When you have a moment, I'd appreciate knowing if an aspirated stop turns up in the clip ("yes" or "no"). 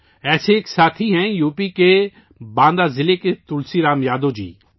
yes